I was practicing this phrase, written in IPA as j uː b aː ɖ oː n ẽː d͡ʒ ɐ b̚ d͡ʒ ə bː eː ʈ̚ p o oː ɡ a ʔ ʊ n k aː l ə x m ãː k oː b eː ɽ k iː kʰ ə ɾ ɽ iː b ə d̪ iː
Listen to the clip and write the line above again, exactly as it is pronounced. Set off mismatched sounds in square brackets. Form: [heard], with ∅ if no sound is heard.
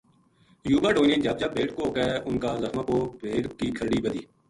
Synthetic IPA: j uː b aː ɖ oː n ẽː d͡ʒ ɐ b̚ d͡ʒ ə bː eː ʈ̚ [k] o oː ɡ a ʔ ʊ n k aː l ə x m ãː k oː b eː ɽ k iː kʰ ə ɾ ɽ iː b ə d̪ iː